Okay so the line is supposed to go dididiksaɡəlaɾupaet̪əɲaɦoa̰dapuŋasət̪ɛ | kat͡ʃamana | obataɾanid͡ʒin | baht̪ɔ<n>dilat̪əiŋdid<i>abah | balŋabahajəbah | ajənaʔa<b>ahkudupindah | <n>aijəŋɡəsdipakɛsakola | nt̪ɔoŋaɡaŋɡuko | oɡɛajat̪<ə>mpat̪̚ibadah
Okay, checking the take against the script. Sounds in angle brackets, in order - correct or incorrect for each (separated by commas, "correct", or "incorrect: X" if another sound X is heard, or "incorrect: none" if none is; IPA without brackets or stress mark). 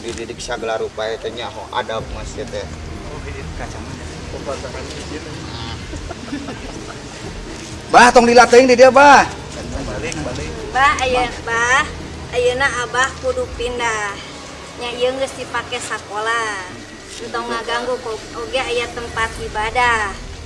incorrect: ŋ, correct, correct, incorrect: ɲ, correct